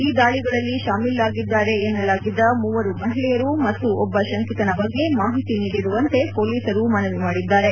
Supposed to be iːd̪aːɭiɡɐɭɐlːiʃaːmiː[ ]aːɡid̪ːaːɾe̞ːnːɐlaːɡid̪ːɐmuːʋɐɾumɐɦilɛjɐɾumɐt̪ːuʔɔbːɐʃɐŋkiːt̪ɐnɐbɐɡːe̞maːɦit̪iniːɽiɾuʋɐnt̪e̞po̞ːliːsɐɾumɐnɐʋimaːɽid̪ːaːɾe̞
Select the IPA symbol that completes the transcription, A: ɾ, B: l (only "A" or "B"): B